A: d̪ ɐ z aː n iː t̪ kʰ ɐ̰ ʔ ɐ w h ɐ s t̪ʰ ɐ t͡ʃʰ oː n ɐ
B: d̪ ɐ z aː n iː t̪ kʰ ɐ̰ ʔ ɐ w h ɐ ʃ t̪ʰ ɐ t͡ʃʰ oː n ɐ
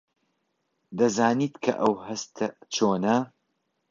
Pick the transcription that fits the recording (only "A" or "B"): A